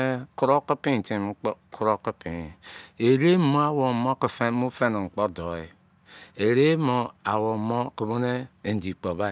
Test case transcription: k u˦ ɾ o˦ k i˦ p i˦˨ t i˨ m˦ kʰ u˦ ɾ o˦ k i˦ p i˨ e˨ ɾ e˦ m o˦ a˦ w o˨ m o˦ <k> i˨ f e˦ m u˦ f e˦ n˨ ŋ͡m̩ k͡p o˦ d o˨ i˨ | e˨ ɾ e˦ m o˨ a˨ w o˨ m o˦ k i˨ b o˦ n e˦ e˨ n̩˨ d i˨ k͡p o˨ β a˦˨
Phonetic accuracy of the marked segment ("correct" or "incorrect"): correct